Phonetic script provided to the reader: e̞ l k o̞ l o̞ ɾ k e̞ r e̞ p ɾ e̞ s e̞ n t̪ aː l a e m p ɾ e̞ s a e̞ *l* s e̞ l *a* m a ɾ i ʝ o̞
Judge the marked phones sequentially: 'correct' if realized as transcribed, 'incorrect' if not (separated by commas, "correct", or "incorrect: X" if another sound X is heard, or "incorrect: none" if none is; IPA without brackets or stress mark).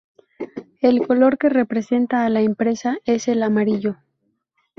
incorrect: none, correct